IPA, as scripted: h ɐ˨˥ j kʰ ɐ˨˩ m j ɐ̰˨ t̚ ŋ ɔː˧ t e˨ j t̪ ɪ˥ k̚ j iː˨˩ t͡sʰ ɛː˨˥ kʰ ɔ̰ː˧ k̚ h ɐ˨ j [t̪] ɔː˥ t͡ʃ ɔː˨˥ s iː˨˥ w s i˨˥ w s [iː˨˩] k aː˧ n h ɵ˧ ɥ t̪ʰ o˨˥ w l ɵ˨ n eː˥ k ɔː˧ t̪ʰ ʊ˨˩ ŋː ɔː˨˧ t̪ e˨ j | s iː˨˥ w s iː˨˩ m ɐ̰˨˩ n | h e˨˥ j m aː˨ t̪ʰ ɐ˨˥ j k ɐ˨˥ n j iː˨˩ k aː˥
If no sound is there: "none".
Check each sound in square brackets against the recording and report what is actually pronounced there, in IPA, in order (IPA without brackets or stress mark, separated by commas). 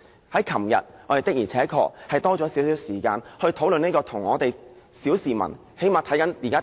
t̪, iː˨˩